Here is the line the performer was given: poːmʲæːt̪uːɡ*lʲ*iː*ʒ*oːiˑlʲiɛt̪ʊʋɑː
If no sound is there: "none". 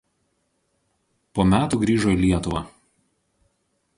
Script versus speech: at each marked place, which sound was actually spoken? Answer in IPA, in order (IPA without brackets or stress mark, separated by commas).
ɾʲ, ʒ